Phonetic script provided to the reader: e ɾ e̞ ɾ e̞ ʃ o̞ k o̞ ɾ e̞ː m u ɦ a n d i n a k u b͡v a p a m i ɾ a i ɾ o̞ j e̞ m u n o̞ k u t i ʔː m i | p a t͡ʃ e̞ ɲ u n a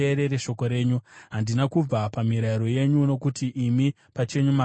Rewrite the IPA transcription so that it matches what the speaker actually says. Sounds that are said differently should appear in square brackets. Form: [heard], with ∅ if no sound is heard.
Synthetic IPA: e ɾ e̞ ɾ e̞ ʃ o̞ k o̞ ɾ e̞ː [ɲ] u ɦ a n d i n a k u b͡v a p a m i ɾ a i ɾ o̞ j e̞ [ɲ] u n o̞ k u t i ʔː m i | p a t͡ʃ e̞ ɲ u [m] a